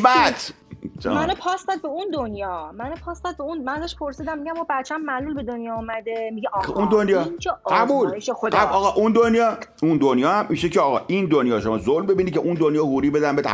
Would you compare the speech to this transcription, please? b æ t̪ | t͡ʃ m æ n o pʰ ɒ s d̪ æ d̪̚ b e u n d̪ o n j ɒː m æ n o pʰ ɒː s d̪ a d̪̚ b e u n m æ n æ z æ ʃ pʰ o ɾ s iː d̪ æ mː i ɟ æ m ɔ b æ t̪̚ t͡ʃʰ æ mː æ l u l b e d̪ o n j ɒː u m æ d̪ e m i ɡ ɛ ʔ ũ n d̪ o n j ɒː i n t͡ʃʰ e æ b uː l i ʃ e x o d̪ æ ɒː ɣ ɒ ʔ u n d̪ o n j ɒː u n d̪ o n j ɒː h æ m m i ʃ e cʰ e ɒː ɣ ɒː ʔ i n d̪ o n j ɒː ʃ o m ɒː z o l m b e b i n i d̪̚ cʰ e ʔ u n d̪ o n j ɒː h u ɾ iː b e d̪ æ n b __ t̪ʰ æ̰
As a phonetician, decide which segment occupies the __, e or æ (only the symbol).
e